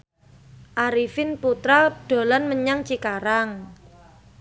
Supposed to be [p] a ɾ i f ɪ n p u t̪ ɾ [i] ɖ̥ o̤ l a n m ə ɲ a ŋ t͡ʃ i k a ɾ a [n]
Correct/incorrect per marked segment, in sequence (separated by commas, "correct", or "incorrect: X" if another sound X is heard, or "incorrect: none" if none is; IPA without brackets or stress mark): incorrect: ʔ, incorrect: a, incorrect: ŋ